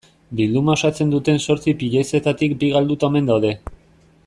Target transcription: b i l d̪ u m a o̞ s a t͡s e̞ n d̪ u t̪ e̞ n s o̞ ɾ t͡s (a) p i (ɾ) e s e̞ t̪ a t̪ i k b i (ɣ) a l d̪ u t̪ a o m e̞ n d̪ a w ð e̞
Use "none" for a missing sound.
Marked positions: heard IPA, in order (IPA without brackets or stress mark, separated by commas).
i, ʎ, ɣ